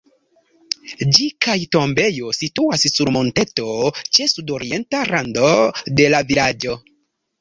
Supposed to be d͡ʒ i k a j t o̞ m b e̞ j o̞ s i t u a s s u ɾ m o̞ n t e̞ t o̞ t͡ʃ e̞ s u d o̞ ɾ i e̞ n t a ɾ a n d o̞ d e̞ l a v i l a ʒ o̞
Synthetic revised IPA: d͡ʒ i k a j t o̞ m b e̞ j o̞ s i t u a s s u ɾ m o̞ n t e̞ t o̞ t͡ʃ e̞ s u d o̞ ɾ i e̞ n t a ɾ a n d o̞ d e̞ l a v i l a d͡ʒ o̞